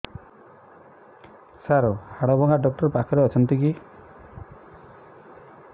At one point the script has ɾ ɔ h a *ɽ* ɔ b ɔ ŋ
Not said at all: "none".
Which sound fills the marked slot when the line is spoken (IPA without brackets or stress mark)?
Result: ɽ